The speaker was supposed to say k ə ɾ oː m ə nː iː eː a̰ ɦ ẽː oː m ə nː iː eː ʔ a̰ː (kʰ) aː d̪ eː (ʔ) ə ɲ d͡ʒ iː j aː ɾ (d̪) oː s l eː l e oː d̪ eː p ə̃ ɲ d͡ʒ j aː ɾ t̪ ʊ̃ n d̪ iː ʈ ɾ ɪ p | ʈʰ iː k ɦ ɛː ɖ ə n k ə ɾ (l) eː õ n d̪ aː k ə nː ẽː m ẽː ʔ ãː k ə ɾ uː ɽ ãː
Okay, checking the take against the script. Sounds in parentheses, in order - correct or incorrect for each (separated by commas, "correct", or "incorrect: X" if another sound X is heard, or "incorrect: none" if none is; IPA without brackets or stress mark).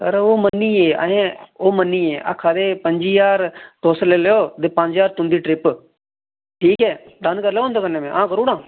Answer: correct, incorrect: p, incorrect: t̪, correct